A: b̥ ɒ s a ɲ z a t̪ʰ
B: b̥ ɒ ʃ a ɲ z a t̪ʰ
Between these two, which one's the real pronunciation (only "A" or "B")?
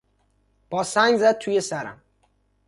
A